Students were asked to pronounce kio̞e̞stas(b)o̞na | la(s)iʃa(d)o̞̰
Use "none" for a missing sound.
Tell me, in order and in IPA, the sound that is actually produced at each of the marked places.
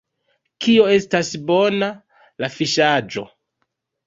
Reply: b, f, d͡ʒ

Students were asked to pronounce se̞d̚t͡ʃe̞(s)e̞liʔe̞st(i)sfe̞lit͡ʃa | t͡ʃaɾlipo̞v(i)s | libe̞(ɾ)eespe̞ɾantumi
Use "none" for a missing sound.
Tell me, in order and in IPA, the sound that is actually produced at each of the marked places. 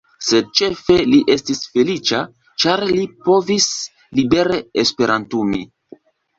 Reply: f, i, i, ɾ

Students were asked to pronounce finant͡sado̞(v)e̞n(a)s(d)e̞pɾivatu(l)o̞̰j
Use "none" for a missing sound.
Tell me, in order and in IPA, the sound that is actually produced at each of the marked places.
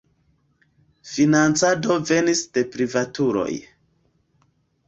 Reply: v, i, d, ɾ

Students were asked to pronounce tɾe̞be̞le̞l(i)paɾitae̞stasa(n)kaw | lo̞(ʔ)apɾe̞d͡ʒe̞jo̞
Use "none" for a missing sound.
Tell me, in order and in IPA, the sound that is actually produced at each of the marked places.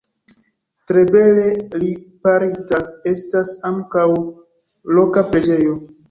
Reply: i, ŋ, k

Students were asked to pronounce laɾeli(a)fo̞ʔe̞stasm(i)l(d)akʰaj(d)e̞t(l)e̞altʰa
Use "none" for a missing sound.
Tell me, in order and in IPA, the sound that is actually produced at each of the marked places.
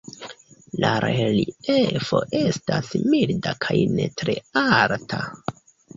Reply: e, i, d, n, ɾ

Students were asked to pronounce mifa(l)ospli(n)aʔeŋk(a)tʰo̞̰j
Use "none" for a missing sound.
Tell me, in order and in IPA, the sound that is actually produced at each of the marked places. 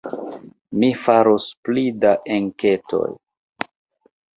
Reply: ɾ, d, e

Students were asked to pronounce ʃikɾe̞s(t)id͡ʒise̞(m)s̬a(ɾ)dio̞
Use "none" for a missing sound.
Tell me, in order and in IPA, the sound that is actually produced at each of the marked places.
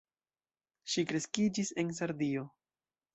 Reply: k, n, ɾ

